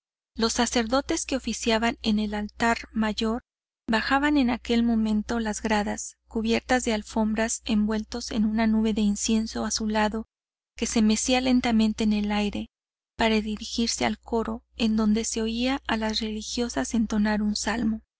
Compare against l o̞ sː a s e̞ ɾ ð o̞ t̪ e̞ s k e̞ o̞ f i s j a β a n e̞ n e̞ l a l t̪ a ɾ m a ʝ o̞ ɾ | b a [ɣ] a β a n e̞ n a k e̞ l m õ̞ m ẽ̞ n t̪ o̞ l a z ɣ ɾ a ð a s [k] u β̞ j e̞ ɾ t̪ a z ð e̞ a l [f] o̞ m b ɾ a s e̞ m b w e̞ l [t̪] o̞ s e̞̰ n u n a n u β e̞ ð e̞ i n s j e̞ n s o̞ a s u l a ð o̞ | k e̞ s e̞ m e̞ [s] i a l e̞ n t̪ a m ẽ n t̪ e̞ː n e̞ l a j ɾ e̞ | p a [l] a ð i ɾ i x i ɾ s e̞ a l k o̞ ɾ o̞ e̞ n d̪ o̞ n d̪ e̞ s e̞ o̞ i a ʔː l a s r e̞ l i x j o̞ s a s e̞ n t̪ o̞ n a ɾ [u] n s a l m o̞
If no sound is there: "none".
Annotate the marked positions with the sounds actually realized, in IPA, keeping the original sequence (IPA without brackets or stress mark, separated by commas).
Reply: x, k, f, t̪, s, ɾ, u